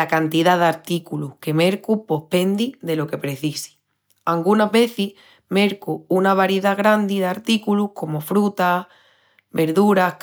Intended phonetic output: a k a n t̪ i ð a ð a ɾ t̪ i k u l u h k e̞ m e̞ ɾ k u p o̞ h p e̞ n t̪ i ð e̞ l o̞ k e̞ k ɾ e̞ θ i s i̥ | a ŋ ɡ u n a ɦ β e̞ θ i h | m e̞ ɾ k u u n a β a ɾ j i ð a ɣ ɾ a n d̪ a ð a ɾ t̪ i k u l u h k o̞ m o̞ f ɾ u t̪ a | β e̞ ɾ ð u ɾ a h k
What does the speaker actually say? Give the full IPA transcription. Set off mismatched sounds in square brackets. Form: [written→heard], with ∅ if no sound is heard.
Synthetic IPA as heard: a k a n t̪ i ð a ð a ɾ t̪ i k u l u h k e̞ m e̞ ɾ k u p o̞ h p e̞ n [t̪→d̪] i ð e̞ l o̞ k e̞ [k→p] ɾ e̞ θ i s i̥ | a ŋ ɡ u n a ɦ β e̞ θ i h | m e̞ ɾ k u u n a β a ɾ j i ð a ɣ ɾ a n d̪ [a→i] ð a ɾ t̪ i k u l u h k o̞ m o̞ f ɾ u t̪ a | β e̞ ɾ ð u ɾ a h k

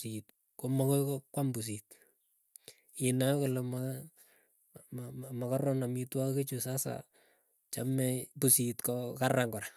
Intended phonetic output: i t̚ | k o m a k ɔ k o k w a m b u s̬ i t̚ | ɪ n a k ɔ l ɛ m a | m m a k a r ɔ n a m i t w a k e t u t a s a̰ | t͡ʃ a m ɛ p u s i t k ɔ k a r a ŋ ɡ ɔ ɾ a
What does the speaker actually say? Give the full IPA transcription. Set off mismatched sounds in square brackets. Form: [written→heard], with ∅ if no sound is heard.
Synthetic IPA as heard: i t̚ | k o m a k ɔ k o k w a m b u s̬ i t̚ | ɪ n a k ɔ l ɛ m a | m m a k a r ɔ n a m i t w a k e [t→t͡ʃ] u [t→s] a s a̰ | t͡ʃ a m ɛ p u s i t k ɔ k a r a ŋ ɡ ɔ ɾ a

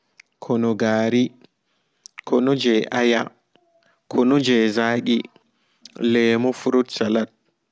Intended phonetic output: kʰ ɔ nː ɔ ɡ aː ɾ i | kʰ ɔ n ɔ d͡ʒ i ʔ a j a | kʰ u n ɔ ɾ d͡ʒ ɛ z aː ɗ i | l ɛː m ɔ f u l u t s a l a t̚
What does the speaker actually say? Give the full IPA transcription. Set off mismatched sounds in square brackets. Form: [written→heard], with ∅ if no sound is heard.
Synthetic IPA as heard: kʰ ɔ [nː→n] ɔ ɡ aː ɾ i | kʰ ɔ n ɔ d͡ʒ [i→ɛ] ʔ a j a | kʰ [u→ɔ] n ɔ [ɾ→∅] d͡ʒ ɛ z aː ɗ i | l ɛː m ɔ f u [l→ɾ] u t s a l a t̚

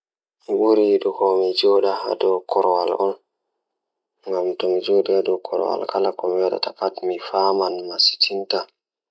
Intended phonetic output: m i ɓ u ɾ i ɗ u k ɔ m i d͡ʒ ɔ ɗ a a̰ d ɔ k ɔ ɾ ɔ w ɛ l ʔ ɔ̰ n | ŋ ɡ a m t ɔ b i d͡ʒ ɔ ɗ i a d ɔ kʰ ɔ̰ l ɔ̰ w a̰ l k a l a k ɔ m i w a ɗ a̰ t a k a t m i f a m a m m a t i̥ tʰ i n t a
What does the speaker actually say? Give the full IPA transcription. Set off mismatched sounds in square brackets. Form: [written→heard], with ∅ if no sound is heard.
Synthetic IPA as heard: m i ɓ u ɾ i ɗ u k ɔ m i d͡ʒ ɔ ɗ a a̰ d ɔ k ɔ ɾ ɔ w [ɛ→a] l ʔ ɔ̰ n | ŋ ɡ a m t ɔ [b→m] i d͡ʒ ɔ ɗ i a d ɔ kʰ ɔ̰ [l→ɾ] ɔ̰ w a̰ l k a l a k ɔ m i w a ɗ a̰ t a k a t m i f a m a [m→n] m a [t→s] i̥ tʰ i n t a

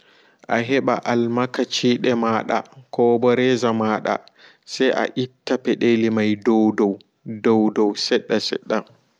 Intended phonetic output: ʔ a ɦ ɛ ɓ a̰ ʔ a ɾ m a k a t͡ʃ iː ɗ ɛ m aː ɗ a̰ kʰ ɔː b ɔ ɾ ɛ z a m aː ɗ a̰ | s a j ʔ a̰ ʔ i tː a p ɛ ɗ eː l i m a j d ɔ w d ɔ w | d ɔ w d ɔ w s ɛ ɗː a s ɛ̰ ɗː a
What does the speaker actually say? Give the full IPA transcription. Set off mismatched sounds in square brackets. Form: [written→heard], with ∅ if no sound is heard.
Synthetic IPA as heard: ʔ a ɦ ɛ ɓ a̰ ʔ a [ɾ→l] m a k a t͡ʃ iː ɗ ɛ m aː ɗ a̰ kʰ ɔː b ɔ ɾ ɛ z a m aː ɗ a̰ | s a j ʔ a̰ ʔ i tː a p ɛ ɗ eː l i m a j d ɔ w d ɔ w | d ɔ w d ɔ w s ɛ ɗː a s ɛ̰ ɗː a

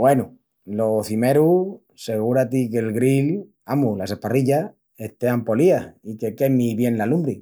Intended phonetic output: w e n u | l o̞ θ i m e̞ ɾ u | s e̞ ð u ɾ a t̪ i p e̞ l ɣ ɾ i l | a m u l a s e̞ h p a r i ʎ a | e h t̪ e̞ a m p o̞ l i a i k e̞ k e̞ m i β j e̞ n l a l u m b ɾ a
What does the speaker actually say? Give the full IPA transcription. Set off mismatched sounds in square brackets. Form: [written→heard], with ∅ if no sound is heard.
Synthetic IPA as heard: w e n u | l o̞ θ i m e̞ ɾ u | s e̞ [ð→ɣ] u ɾ a t̪ i [p→k] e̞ l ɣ ɾ i l | a m u l a s e̞ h p a r i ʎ a | e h t̪ e̞ a m p o̞ l i a i k e̞ k e̞ m i β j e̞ n l a l u m b ɾ [a→i]

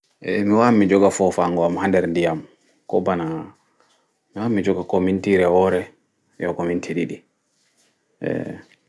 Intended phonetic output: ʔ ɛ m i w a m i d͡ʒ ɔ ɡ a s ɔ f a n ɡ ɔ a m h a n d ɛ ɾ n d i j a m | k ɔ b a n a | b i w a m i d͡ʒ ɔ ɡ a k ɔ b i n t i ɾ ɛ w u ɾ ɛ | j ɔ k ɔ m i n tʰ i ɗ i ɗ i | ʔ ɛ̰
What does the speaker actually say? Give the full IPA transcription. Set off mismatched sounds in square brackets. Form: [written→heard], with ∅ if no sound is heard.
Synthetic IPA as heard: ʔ ɛ m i w a m i d͡ʒ ɔ ɡ a [s→f] ɔ f a [n→ŋ] ɡ ɔ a m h a n d ɛ ɾ n d i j a m | k ɔ b a n a | [b→m] i w a m i d͡ʒ ɔ ɡ a k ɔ [b→m] i n t i ɾ ɛ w [u→ɔ] ɾ ɛ | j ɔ k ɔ m i n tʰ i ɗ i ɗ i | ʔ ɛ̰

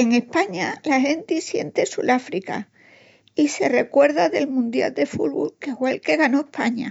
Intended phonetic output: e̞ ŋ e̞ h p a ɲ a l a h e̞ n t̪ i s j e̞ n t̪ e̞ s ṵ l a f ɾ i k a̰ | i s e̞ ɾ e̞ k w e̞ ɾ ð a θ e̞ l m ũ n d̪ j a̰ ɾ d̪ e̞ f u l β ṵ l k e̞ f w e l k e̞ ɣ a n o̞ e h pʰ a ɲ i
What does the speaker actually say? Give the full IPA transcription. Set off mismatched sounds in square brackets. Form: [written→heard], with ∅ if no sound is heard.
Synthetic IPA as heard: e̞ ŋ e̞ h p a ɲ a l a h e̞ n t̪ i s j e̞ n t̪ e̞ s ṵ l a f ɾ i k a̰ | i s e̞ [ɾ→r] e̞ k w e̞ ɾ ð a [θ→ð] e̞ l m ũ n d̪ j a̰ [ɾ→l] d̪ e̞ f u l β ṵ l k e̞ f w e l k e̞ ɣ a n o̞ e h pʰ a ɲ [i→a]

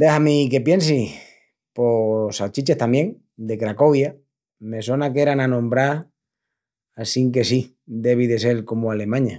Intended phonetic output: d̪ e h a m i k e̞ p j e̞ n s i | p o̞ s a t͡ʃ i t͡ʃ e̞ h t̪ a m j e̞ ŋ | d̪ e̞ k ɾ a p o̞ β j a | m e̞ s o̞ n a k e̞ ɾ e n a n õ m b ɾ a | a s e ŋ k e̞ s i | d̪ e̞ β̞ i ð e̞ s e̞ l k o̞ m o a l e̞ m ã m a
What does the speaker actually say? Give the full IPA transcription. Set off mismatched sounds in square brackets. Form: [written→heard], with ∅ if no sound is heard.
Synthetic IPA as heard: d̪ e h a m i k e̞ p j e̞ n s i | p o̞ s a t͡ʃ i t͡ʃ e̞ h t̪ a m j e̞ ŋ | d̪ e̞ k ɾ a [p→k] o̞ β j a | m e̞ s o̞ n a k e̞ ɾ [e→a] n a n õ m b ɾ a | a s [e→i] ŋ k e̞ s i | d̪ e̞ β̞ i ð e̞ s e̞ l k o̞ m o a l e̞ m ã [m→ɲ] a

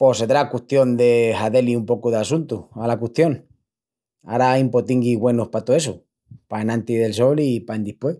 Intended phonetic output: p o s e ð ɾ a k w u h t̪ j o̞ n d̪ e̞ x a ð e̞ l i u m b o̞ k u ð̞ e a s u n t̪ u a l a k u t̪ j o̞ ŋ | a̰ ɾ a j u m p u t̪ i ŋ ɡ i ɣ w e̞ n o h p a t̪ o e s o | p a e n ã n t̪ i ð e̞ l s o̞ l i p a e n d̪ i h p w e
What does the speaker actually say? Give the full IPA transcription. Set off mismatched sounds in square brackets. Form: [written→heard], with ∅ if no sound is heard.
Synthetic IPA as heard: p o s e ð ɾ a k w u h t̪ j o̞ n d̪ e̞ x a ð e̞ l i u m [b→p] o̞ k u ð̞ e a s u n t̪ u a l a k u t̪ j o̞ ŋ | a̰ ɾ a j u m p [u→o] t̪ i ŋ ɡ i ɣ w e̞ n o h p a t̪ o e s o | p a e n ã n t̪ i ð e̞ l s o̞ l i p a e n d̪ i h p w e

